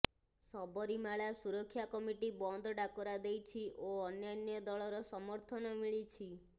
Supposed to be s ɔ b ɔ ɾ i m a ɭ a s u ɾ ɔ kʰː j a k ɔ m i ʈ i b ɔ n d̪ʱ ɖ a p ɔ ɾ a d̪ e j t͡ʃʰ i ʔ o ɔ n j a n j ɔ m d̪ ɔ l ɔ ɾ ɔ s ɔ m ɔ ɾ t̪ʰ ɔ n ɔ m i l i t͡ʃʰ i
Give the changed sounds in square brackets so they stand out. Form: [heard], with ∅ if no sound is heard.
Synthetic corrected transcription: s ɔ b ɔ ɾ i m a ɭ a s u ɾ ɔ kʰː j a k ɔ m i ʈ i b ɔ n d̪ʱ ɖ a [k] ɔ ɾ a d̪ e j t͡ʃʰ i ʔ o ɔ n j a n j ɔ [∅] d̪ ɔ [ɭ] ɔ ɾ ɔ s ɔ m ɔ ɾ t̪ʰ ɔ n ɔ m i [ɭ] i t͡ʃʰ i

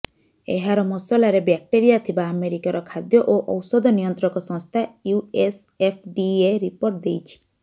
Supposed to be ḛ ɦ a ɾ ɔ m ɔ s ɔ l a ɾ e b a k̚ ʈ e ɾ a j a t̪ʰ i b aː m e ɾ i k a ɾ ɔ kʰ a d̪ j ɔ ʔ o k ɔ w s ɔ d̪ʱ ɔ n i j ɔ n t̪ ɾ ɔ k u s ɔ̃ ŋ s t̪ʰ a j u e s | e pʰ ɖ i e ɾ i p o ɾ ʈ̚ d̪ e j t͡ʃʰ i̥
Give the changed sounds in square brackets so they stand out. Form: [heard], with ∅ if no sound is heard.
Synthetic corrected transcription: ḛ ɦ a ɾ ɔ m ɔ s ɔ l a ɾ e b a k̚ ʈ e ɾ [i] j a t̪ʰ i b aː m e ɾ i k a ɾ ɔ kʰ a d̪ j ɔ ʔ o [ʔ] ɔ w s ɔ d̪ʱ ɔ n i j ɔ n t̪ ɾ ɔ k [ɔ] s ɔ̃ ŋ s t̪ʰ a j u e s | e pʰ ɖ i e ɾ i p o ɾ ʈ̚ d̪ e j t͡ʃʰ i̥

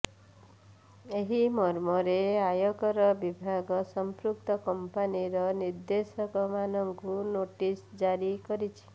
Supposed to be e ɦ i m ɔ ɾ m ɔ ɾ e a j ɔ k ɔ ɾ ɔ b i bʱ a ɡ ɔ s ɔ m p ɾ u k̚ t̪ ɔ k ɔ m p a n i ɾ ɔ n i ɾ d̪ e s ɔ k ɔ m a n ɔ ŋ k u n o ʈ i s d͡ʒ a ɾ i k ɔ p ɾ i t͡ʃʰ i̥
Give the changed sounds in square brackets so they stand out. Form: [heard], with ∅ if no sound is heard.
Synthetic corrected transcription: e ɦ i m ɔ ɾ m ɔ ɾ e a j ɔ k ɔ ɾ ɔ b i bʱ a ɡ ɔ s ɔ m p ɾ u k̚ t̪ ɔ k ɔ m p a n i ɾ ɔ n i ɾ d̪ e s ɔ k ɔ m a n ɔ ŋ k u n o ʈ i s d͡ʒ a ɾ i k ɔ [∅] ɾ i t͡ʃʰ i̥

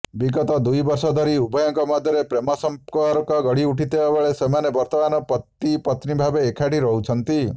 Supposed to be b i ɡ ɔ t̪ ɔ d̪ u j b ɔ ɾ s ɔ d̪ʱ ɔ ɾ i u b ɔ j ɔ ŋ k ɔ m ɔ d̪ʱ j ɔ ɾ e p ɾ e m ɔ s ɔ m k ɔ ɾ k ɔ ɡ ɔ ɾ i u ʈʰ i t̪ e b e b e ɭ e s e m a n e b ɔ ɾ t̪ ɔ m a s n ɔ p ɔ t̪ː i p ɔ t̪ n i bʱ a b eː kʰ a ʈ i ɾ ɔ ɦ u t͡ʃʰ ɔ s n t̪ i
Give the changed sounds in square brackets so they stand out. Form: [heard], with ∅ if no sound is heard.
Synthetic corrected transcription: b i ɡ ɔ t̪ ɔ d̪ u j b ɔ ɾ s ɔ d̪ʱ ɔ ɾ i u b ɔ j ɔ ŋ k ɔ m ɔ d̪ʱ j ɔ ɾ e p ɾ e m ɔ s ɔ m k ɔ ɾ k ɔ ɡ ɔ [ɽ] i u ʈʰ i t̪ e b [a] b e ɭ e s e m a n e b ɔ ɾ t̪ ɔ m a [∅] n ɔ p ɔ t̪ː i p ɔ t̪ n i bʱ a b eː kʰ a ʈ i ɾ ɔ ɦ u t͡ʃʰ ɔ [∅] n t̪ i

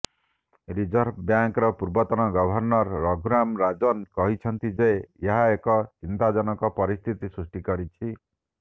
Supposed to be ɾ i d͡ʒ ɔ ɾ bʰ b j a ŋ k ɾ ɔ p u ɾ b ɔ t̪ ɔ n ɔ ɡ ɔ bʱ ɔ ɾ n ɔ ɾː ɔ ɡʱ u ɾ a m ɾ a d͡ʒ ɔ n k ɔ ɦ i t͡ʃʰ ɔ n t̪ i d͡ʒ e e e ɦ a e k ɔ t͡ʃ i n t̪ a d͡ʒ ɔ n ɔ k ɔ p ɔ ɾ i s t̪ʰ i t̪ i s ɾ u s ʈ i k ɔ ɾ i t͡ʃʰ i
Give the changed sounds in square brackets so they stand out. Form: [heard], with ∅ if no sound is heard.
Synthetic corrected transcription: ɾ i d͡ʒ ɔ ɾ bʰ b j a ŋ k ɾ ɔ p u ɾ b ɔ t̪ ɔ n ɔ ɡ ɔ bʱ ɔ ɾ n ɔ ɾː ɔ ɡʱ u ɾ a m ɾ a d͡ʒ ɔ n k ɔ ɦ i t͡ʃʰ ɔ n t̪ i d͡ʒ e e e ɦ a e k ɔ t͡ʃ i n t̪ a d͡ʒ ɔ n ɔ k ɔ p ɔ ɾ i s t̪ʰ i t̪ i s ɾ u s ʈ i k ɔ ɾ i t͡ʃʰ i

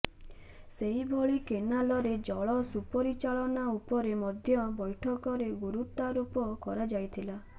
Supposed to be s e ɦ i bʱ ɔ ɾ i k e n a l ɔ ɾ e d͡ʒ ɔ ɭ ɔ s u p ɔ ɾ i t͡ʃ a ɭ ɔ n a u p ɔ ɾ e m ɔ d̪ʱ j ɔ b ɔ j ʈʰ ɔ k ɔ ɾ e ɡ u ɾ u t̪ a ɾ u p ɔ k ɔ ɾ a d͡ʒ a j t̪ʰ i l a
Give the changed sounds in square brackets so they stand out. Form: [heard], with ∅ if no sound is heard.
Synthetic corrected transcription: s e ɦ i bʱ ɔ [ɭ] i k e n a l ɔ ɾ e d͡ʒ ɔ ɭ ɔ s u p ɔ ɾ i t͡ʃ a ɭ ɔ n a u p ɔ ɾ e m ɔ d̪ʱ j ɔ b ɔ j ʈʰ ɔ k ɔ ɾ e ɡ u ɾ u t̪ a ɾ u p ɔ k ɔ ɾ a d͡ʒ a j t̪ʰ i l a

